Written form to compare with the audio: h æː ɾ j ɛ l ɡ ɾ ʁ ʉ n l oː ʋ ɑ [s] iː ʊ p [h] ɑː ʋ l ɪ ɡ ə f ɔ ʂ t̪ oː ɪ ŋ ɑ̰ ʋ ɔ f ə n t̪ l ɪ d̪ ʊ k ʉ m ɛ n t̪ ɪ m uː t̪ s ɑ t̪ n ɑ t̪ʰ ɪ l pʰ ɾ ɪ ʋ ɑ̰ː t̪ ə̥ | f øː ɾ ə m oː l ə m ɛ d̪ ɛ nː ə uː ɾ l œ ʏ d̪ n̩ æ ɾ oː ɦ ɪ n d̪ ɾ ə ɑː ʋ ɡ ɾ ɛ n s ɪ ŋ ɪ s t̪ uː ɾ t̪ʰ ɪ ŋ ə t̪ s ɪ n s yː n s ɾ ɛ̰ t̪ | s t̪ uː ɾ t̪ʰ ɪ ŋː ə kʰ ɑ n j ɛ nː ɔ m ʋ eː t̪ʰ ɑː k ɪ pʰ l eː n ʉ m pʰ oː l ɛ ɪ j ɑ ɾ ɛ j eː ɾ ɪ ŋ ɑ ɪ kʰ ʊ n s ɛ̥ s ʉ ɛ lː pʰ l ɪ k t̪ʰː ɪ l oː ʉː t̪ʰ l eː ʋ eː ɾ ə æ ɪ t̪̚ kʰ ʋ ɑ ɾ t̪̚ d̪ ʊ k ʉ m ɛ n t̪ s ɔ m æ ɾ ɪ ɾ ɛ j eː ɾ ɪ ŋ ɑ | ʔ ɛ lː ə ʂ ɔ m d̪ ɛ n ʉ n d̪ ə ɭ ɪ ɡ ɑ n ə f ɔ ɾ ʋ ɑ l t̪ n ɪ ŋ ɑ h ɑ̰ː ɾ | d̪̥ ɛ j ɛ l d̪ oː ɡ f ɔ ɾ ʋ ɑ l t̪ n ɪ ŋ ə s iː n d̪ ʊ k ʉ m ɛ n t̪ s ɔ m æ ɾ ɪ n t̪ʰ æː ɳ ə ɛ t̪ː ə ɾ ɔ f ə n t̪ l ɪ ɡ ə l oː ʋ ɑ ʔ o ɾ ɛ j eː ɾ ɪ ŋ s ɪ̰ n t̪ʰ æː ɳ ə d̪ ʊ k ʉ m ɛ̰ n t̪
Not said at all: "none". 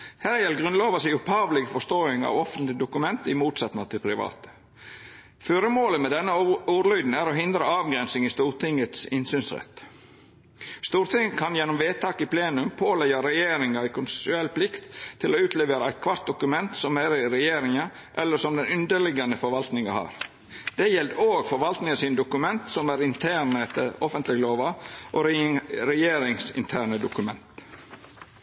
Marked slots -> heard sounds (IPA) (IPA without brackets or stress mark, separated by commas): s, h